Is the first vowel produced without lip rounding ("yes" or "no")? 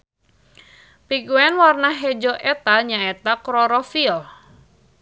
yes